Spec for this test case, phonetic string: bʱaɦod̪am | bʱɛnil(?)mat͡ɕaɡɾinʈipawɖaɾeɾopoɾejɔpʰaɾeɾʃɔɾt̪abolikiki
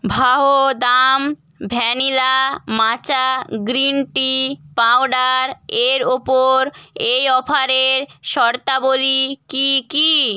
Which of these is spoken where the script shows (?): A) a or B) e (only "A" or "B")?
A